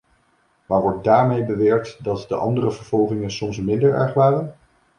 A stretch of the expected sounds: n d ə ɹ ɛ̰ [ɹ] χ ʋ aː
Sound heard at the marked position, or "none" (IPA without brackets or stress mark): ɹ